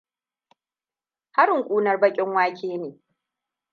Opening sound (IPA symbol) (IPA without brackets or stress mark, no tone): h